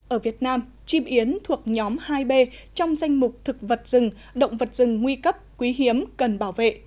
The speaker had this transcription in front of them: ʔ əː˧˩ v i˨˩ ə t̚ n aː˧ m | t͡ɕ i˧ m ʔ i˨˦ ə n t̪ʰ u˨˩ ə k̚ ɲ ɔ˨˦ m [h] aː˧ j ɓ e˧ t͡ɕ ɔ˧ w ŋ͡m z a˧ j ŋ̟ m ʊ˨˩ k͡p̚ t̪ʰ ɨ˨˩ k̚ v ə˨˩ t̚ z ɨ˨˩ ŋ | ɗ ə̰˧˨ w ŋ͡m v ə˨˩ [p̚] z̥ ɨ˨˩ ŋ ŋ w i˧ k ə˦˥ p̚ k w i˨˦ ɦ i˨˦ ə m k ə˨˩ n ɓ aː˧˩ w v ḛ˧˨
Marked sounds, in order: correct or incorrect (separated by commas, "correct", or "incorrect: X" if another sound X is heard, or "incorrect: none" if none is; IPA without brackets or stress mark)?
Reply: correct, incorrect: t̚